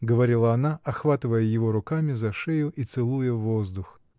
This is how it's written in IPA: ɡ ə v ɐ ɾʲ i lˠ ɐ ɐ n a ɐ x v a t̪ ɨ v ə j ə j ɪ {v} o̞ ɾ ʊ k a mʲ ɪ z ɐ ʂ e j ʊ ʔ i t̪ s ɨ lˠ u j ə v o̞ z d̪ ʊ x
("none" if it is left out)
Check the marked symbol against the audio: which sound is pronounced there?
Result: v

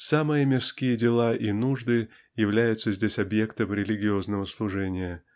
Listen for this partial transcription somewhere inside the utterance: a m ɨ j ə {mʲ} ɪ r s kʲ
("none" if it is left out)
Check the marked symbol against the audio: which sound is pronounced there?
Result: mʲ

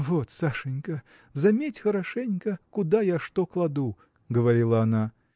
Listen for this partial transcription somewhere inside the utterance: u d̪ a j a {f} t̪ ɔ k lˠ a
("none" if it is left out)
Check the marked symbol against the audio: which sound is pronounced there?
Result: ʂ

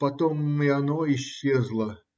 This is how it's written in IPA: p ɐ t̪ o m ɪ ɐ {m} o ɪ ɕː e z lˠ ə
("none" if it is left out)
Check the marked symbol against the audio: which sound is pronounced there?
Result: n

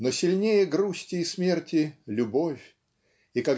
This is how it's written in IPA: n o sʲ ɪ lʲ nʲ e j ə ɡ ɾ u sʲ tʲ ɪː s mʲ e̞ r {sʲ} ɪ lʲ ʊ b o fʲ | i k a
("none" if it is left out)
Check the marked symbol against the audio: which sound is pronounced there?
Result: tʲ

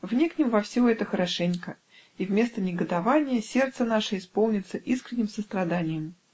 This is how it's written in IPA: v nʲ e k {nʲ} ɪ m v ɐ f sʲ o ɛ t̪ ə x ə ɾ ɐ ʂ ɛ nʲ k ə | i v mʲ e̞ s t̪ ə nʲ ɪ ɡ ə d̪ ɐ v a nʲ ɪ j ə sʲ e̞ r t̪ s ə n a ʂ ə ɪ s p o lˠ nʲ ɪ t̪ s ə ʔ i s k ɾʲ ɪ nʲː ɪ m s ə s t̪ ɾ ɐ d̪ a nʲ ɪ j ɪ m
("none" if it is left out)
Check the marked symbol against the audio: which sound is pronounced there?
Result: nʲ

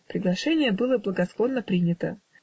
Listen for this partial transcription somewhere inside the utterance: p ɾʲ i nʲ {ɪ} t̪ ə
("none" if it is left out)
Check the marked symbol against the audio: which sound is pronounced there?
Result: ɪ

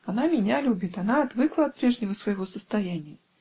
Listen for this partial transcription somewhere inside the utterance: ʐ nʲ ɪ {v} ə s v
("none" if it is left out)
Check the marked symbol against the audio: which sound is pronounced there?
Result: v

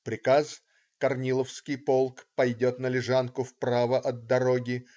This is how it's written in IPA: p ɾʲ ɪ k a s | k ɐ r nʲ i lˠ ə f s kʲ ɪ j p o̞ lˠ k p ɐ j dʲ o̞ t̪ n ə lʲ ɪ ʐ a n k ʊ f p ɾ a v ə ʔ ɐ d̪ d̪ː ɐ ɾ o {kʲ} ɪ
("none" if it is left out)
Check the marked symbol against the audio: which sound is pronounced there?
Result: ɡʲ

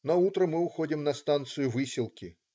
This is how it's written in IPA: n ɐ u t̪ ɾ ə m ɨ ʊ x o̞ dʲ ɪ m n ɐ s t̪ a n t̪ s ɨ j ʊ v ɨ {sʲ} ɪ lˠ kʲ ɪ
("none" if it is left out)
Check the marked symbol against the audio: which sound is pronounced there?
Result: sʲ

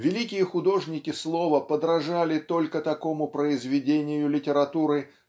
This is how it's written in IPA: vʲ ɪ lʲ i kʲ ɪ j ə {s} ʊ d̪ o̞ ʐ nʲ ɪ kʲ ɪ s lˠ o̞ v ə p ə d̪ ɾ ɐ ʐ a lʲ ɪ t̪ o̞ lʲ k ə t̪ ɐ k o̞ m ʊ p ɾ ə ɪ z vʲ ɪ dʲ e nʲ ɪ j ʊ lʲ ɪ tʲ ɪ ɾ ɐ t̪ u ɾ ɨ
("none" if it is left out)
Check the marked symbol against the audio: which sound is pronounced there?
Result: x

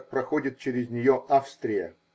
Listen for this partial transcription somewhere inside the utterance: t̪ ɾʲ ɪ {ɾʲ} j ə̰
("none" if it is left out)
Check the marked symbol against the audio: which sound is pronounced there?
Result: none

